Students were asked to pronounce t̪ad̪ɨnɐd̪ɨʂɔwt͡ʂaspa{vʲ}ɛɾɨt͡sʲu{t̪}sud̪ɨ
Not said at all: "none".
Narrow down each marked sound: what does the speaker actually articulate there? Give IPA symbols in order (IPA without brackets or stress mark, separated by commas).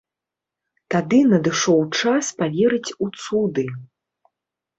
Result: vʲ, t̪